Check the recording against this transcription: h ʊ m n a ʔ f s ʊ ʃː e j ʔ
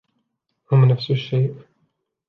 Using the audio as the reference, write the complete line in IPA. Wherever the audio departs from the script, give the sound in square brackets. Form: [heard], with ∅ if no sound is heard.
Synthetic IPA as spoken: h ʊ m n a [∅] f s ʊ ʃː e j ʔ